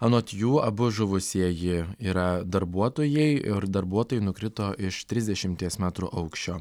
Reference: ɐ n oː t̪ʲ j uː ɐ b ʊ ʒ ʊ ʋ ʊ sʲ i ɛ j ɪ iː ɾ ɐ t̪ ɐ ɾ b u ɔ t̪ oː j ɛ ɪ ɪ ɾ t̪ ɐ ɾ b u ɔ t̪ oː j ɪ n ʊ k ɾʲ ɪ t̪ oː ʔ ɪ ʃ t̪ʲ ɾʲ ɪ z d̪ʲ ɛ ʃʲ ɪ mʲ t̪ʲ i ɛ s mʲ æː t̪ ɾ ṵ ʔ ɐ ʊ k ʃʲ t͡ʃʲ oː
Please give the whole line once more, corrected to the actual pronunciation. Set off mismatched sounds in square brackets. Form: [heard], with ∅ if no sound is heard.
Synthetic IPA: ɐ n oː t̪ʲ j uː ɐ b ʊ ʒ ʊ ʋ ʊ sʲ i ɛ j ɪ iː ɾ ɐ [d̪] ɐ ɾ b u ɔ t̪ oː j ɛ ɪ ɪ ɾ [d̪] ɐ ɾ b u ɔ t̪ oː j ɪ n ʊ k ɾʲ ɪ t̪ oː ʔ ɪ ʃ t̪ʲ ɾʲ ɪ z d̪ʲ ɛ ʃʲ ɪ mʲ t̪ʲ i ɛ s mʲ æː t̪ ɾ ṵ ʔ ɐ ʊ k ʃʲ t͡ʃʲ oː